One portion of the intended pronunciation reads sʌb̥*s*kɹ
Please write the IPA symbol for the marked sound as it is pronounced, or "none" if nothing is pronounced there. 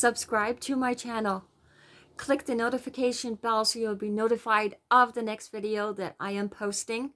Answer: s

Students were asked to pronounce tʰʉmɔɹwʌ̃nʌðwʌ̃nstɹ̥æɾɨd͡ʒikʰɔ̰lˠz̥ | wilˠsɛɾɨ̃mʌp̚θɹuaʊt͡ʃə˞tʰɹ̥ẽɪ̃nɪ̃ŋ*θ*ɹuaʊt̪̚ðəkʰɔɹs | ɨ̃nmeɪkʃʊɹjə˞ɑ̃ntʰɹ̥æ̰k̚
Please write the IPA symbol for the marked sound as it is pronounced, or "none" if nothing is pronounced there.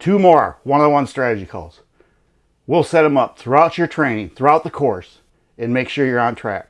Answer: θ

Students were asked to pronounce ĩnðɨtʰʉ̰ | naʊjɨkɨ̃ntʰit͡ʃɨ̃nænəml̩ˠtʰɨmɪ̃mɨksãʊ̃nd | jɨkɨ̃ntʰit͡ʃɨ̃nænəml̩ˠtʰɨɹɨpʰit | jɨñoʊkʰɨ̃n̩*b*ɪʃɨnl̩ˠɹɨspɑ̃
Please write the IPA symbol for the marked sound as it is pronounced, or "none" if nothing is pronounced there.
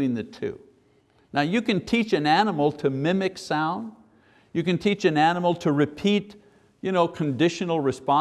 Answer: d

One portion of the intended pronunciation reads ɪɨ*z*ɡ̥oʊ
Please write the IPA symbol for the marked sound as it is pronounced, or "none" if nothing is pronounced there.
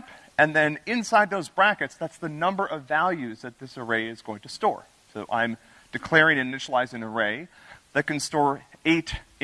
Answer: z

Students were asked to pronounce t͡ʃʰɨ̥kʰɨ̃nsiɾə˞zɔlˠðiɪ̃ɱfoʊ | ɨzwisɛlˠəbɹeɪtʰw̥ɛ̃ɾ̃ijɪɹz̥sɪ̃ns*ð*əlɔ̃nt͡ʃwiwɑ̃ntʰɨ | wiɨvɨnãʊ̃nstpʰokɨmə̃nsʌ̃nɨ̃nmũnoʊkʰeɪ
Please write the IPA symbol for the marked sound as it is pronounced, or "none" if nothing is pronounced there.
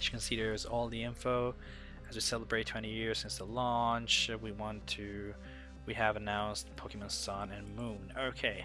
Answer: ð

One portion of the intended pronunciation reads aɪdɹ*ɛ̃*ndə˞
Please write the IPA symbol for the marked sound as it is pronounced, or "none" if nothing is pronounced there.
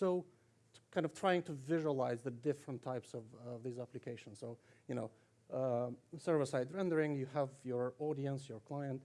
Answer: ɛ̃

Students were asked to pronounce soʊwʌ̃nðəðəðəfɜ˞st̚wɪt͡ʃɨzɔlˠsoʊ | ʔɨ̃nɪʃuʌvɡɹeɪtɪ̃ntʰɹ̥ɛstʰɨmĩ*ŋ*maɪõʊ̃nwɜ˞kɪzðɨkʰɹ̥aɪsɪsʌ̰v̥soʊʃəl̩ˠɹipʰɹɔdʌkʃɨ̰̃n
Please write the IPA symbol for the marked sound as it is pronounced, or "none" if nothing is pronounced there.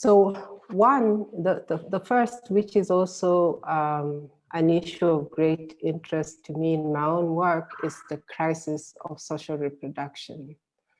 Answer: n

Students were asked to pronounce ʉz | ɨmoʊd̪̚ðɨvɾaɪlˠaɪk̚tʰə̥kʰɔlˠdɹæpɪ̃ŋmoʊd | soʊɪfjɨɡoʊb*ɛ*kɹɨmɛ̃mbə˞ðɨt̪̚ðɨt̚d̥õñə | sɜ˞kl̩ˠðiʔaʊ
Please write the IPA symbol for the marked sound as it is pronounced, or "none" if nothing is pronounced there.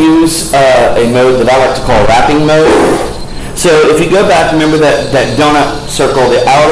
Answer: æ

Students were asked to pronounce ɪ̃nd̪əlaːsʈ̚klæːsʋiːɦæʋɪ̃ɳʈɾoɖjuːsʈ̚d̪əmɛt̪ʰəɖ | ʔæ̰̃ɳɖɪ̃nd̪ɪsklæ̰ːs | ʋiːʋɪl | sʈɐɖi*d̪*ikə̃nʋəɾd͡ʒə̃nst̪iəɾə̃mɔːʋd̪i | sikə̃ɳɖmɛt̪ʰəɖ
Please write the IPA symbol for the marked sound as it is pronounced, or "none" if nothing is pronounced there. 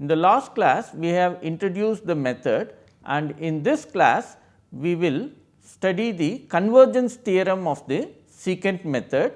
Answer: d̪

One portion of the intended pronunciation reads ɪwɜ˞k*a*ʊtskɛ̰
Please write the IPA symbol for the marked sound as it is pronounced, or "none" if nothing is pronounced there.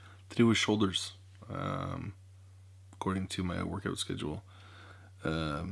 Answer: a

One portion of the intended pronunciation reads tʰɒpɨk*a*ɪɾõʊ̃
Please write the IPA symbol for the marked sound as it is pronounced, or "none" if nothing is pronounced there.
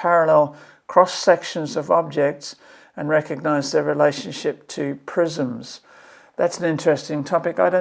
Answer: a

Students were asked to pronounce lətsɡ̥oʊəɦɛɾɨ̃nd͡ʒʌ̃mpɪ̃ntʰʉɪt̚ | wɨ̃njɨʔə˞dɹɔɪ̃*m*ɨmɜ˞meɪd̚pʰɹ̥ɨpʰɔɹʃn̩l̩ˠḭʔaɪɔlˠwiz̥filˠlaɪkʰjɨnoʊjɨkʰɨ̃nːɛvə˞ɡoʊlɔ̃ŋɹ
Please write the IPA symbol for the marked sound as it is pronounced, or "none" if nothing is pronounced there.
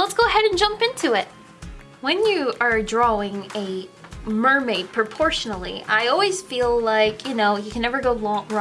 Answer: ŋ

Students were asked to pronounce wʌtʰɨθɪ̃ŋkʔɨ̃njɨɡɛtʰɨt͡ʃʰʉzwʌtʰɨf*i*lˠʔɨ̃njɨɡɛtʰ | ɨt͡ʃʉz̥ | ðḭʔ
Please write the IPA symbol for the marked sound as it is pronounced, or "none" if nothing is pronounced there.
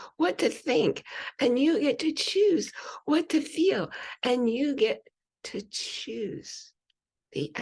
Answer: i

